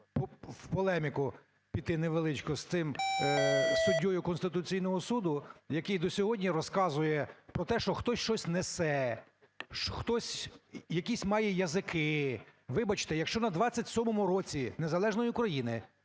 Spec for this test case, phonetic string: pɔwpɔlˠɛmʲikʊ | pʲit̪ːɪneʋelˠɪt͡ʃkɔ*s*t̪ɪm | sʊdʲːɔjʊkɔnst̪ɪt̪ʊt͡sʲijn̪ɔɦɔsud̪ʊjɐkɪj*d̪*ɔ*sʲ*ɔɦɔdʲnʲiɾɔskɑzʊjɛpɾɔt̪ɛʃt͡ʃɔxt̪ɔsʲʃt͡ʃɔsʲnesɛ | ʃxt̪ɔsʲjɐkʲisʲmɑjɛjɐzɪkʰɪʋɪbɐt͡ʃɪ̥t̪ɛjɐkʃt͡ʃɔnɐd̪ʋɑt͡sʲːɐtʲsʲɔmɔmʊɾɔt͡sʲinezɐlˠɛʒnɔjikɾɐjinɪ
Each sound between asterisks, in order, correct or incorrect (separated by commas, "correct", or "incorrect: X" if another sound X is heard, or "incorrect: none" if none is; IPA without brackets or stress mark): correct, correct, correct